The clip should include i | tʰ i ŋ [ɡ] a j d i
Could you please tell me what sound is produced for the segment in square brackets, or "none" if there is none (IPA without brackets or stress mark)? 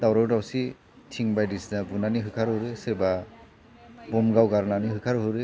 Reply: b